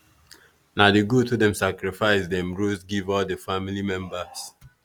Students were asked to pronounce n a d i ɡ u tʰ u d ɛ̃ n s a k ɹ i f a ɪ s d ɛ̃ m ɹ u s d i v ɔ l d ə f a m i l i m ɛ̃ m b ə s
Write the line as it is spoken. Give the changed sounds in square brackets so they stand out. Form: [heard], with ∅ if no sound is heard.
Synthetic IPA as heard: n a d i ɡ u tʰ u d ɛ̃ [m] s a k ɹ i f a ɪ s d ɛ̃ m ɹ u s [ɡ] i v ɔ l d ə f a m i l i m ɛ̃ m b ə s